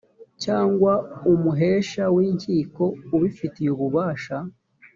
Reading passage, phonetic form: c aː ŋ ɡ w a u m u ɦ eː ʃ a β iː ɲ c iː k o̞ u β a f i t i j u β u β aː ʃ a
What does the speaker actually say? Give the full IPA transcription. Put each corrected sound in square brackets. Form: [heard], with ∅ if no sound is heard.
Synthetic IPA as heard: c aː ŋ ɡ w a u m u ɦ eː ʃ a [w] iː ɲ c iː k o̞ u β [i] f i t i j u β u β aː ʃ a